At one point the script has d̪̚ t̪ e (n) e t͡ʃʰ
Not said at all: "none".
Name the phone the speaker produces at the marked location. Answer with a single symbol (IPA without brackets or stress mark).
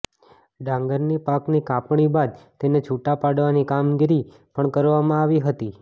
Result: n